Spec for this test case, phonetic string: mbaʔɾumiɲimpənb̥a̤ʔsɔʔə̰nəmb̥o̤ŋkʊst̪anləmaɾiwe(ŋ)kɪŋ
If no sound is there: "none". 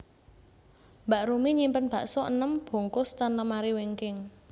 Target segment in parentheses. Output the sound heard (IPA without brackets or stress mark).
ŋ